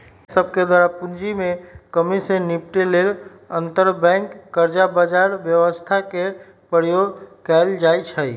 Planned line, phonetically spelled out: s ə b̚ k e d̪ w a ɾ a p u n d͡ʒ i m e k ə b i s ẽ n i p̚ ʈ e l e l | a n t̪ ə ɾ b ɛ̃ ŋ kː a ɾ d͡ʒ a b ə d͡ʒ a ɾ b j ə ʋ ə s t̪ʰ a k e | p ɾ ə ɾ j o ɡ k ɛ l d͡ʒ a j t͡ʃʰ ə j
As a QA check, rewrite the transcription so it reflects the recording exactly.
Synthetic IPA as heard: s ə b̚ k e d̪ w a ɾ a p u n d͡ʒ i m e k ə m i s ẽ n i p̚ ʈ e l e l | ə n t̪ ə ɾ b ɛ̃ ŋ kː ə ɾ d͡ʒ a b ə d͡ʒ a ɾ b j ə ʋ ə s t̪ʰ a k e | p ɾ ə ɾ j o ɡ k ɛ l d͡ʒ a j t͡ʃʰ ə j